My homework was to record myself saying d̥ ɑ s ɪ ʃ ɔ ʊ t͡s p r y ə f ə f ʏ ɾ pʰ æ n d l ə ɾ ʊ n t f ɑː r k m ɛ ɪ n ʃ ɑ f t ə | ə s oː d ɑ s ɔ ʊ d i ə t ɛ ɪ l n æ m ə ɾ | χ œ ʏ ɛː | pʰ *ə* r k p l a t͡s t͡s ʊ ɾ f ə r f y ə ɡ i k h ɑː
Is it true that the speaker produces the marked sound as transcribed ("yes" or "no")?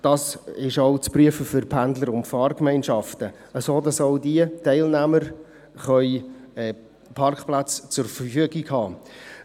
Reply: no